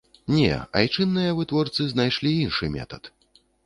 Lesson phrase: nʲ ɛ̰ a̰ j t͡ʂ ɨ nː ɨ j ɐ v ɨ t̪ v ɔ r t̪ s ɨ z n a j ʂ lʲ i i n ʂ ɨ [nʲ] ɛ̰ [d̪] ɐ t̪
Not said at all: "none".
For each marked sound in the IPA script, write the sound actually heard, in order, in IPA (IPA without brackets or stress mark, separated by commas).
mʲ, t̪